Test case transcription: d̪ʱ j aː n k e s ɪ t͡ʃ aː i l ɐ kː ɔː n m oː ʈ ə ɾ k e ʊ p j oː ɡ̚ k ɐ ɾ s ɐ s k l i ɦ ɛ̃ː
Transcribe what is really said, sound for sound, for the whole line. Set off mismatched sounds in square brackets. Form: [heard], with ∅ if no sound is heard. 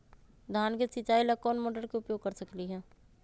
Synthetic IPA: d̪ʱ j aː n k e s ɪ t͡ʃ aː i l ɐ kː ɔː n m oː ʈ ə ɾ k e ʊ p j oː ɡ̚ k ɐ ɾ s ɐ [∅] k l i ɦ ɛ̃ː